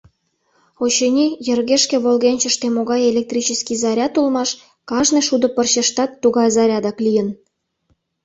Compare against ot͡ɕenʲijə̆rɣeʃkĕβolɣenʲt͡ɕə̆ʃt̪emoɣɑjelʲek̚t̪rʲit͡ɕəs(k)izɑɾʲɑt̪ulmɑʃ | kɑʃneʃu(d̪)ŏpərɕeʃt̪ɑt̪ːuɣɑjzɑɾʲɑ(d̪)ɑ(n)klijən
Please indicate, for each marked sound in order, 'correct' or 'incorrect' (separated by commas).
correct, correct, correct, incorrect